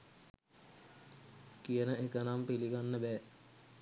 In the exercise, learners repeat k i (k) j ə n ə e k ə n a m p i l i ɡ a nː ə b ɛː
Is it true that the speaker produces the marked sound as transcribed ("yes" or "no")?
no